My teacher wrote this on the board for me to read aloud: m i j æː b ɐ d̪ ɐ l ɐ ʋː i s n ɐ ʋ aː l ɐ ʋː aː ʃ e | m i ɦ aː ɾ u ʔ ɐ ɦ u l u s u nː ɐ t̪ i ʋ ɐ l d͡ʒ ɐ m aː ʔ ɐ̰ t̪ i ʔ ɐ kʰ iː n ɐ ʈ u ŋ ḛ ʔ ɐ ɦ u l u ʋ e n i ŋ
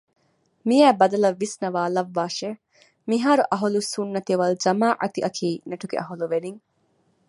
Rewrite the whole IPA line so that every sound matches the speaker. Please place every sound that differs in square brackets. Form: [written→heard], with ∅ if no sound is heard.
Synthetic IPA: m i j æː b ɐ d̪ ɐ l ɐ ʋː i s n ɐ ʋ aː l ɐ ʋː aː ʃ e | m i ɦ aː ɾ u ʔ ɐ ɦ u l u s u nː ɐ t̪ i ʋ ɐ l d͡ʒ ɐ m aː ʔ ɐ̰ t̪ i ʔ ɐ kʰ iː n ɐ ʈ u [ŋ→ɡ] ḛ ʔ ɐ ɦ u l u ʋ e n i ŋ